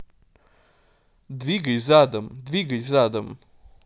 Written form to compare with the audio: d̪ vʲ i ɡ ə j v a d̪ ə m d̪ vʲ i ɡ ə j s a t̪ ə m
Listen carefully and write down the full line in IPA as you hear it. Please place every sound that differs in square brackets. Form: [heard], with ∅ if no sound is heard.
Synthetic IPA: d̪ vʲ i ɡ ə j [z] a d̪ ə m d̪ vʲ i ɡ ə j [z] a [d̪] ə m